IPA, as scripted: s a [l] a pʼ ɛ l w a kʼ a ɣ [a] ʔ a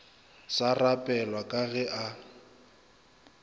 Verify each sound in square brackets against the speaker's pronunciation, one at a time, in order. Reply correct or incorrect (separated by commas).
incorrect, incorrect